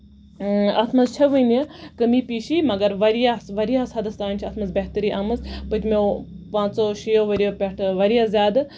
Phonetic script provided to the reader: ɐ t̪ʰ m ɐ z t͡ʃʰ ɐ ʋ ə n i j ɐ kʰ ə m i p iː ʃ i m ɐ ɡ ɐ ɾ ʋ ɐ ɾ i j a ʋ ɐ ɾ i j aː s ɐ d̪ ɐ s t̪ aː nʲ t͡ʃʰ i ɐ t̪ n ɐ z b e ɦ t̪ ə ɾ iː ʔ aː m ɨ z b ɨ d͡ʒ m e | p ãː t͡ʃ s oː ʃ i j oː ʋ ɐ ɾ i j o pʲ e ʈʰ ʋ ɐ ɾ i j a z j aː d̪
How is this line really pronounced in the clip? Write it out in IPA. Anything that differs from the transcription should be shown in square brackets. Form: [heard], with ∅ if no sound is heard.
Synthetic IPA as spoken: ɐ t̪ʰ m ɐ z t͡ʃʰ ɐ ʋ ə n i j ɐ [k] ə m i p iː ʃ i m ɐ ɡ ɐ ɾ ʋ ɐ ɾ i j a ʋ ɐ ɾ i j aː s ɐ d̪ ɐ s t̪ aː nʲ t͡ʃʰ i ɐ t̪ [m] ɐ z b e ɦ t̪ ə ɾ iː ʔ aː m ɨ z [p] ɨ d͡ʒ m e | p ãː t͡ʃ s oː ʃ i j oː ʋ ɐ ɾ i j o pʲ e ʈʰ ʋ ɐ ɾ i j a z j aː d̪